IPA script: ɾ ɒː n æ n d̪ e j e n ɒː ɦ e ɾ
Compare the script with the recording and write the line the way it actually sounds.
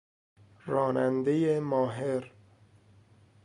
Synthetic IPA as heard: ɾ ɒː n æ n d̪ e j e m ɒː ɦ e ɾ